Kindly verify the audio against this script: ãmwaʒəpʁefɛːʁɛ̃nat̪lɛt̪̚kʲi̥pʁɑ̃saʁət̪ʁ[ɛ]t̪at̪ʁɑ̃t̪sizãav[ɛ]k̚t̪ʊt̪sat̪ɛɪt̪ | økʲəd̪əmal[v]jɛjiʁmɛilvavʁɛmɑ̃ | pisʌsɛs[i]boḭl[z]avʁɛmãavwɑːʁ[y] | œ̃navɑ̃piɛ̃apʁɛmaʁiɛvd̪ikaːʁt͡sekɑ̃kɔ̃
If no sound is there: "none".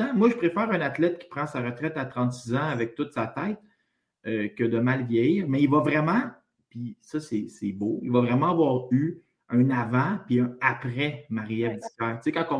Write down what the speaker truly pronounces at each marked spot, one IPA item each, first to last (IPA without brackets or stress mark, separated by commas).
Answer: ɛ, ɛ, v, ɛ, v, y